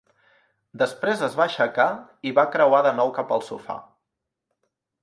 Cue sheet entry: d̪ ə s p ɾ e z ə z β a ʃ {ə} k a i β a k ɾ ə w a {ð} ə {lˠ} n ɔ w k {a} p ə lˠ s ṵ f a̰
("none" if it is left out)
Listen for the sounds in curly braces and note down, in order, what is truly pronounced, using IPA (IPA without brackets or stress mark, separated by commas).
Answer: ə, ð, none, a